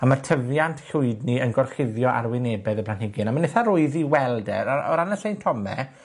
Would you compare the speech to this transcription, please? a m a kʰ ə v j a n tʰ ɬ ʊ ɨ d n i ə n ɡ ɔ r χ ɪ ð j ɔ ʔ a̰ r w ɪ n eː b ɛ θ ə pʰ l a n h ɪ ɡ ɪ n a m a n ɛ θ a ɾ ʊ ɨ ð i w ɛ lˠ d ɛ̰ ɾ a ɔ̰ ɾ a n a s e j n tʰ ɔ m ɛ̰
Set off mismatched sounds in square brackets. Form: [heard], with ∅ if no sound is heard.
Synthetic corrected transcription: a m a [tʰ] ə v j a n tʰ ɬ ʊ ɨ d n i ə n ɡ ɔ r χ ɪ ð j ɔ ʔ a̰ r w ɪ n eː b ɛ [ð] ə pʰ l a n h ɪ ɡ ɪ n a m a n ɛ θ a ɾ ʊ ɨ ð i w ɛ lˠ d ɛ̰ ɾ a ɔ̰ ɾ a n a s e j n tʰ ɔ m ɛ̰